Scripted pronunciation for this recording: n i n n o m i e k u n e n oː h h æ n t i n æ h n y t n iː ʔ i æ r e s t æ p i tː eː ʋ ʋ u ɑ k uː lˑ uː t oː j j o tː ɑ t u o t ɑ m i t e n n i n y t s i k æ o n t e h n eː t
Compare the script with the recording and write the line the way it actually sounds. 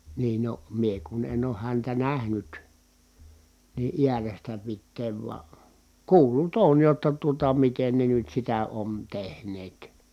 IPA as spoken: n iː n n o m i e k u n e n oː h h æ n t æ n æ h n y t n iː ʔ i æ r e s t æ p i tː eː ʋ ʋ u ɑ k uː lˑ u t oː j j o tː ɑ t u o t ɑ m i t e n n e n y t s i t æ o n t e h n eː t